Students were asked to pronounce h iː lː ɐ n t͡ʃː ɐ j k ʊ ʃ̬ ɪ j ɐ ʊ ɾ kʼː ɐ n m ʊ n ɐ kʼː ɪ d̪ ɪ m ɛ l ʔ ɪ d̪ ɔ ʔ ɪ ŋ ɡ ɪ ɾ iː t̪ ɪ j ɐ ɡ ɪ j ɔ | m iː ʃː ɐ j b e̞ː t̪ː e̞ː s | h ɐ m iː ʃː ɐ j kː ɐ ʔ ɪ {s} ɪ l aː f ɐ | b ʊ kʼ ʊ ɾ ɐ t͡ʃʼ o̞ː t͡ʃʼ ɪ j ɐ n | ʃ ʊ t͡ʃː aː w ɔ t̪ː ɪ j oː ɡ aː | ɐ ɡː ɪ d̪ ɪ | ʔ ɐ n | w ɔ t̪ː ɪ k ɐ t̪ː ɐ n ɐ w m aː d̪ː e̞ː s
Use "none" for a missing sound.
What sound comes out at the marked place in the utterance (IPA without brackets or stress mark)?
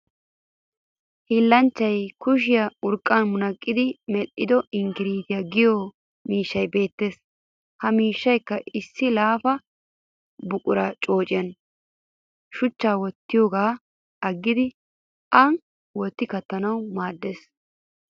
sː